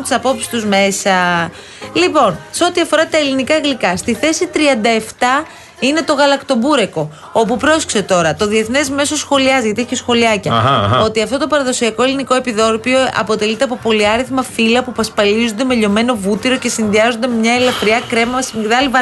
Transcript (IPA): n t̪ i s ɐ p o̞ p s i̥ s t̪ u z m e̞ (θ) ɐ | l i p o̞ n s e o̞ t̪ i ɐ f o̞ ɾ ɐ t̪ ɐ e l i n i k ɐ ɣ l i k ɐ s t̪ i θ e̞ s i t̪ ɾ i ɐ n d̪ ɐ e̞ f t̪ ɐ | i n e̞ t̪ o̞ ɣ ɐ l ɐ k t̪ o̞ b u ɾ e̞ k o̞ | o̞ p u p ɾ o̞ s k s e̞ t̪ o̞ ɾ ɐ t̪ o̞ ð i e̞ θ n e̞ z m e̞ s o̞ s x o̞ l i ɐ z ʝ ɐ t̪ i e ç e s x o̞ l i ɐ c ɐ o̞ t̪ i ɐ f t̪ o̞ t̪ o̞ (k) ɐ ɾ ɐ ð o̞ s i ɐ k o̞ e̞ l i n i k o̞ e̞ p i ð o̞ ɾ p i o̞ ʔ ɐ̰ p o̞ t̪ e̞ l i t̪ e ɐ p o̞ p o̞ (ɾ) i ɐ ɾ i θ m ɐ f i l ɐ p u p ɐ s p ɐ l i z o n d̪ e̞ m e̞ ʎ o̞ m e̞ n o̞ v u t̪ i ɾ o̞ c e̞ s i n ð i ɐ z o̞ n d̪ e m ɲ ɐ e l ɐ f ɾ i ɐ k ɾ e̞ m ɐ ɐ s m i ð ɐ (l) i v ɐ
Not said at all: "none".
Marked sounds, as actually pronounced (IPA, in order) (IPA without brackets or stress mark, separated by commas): s, p, l, l